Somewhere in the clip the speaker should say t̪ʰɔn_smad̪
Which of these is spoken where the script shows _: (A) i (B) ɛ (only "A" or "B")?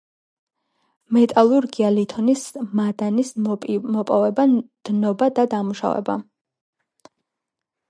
A